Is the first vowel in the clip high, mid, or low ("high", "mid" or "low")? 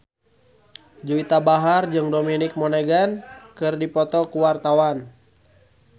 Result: high